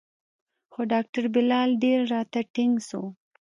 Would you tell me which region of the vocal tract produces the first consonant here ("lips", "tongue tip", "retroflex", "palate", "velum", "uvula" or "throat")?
velum